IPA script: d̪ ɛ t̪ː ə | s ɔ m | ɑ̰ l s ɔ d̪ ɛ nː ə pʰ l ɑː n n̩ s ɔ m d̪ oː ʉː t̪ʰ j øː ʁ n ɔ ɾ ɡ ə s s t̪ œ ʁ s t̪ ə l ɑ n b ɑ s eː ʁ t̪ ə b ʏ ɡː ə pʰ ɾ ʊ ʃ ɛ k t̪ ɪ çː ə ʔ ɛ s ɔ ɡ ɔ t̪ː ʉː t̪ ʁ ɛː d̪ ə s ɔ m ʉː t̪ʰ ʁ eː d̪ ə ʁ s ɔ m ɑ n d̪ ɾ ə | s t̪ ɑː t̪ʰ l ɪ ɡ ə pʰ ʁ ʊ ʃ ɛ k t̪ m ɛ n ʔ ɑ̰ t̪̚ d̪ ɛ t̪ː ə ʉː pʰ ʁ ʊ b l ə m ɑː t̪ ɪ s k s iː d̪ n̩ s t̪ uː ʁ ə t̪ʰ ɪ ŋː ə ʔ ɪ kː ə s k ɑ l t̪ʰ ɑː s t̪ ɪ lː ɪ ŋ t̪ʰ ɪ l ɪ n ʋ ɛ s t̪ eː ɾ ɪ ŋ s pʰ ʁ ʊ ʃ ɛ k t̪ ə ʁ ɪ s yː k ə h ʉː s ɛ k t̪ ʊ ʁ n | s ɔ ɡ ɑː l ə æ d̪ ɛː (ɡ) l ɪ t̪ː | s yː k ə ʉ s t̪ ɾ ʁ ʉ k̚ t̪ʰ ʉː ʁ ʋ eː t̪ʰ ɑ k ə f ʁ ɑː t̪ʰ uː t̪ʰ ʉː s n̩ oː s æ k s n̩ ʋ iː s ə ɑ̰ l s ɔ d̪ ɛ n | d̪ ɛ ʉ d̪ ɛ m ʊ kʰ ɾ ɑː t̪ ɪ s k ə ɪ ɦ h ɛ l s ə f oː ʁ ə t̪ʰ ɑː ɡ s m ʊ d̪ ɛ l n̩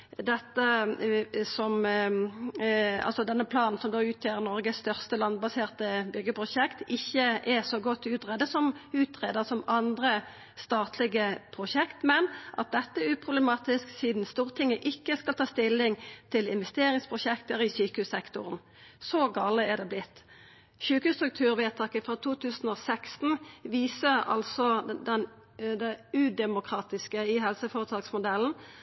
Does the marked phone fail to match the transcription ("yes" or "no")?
yes